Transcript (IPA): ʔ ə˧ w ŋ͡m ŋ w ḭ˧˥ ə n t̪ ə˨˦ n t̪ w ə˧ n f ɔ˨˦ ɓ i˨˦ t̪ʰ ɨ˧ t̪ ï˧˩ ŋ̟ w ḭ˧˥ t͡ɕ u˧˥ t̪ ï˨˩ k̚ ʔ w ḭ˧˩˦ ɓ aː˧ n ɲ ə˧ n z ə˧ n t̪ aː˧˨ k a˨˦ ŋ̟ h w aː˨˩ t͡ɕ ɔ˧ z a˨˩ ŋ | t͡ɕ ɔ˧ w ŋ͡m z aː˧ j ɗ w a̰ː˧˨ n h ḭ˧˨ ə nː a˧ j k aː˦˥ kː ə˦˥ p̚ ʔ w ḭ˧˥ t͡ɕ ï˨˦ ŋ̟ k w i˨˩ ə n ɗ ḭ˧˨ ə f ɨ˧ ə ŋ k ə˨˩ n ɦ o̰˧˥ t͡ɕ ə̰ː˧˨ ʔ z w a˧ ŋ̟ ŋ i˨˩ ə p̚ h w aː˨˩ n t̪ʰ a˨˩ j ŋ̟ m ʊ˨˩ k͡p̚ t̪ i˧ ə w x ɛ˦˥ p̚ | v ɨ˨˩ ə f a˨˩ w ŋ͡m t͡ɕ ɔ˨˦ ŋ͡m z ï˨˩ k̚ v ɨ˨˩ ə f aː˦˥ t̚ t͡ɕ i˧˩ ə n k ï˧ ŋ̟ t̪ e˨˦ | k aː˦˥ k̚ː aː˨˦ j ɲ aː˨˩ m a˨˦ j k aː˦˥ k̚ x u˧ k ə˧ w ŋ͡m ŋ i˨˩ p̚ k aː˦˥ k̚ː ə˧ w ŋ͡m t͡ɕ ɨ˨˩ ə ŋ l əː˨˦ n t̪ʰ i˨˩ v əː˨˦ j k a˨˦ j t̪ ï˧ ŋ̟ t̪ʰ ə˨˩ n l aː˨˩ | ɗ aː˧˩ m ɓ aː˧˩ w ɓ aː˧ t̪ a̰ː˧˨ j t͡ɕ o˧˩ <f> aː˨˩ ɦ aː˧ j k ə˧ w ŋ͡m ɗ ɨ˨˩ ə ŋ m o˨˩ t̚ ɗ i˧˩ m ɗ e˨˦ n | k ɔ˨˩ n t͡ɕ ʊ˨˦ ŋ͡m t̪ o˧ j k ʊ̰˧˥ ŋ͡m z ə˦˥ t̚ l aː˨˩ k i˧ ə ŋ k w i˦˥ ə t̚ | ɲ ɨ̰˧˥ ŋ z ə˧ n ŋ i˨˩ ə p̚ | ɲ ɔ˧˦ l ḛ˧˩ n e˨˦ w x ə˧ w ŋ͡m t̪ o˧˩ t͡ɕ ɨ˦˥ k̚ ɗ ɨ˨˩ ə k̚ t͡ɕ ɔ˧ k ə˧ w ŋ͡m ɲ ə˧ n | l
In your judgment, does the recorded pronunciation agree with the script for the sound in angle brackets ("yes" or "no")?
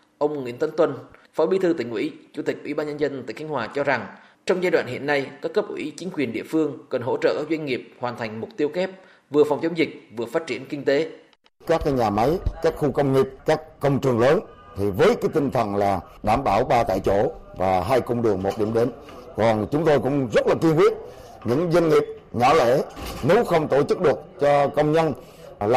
no